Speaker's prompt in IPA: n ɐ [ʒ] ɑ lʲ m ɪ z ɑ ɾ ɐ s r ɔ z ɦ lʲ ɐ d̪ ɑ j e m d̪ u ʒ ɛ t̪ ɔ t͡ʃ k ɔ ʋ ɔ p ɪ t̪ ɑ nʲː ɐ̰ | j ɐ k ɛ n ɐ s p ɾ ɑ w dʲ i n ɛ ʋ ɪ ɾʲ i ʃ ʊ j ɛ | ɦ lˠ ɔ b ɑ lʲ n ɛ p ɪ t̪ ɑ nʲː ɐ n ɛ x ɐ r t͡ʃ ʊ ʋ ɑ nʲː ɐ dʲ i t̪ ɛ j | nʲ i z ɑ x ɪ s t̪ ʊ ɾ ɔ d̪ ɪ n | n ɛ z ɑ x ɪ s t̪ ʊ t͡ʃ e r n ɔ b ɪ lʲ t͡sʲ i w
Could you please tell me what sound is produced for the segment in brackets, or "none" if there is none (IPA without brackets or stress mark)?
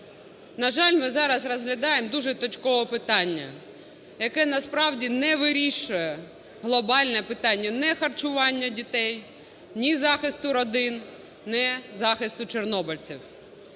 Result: ʒ